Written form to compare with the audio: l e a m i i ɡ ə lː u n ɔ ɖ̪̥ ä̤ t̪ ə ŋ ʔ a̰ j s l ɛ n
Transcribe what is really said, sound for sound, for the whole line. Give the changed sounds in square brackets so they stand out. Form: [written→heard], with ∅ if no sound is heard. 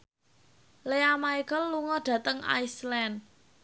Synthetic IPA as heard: l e a m [i→a] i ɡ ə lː u [n→ŋ] ɔ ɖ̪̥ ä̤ t̪ ə ŋ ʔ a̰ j s l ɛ n